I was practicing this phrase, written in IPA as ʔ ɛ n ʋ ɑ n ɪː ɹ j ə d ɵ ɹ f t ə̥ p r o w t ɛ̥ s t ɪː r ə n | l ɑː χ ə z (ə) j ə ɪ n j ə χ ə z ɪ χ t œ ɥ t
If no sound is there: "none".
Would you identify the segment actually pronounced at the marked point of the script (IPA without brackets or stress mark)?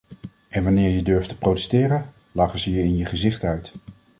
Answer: ə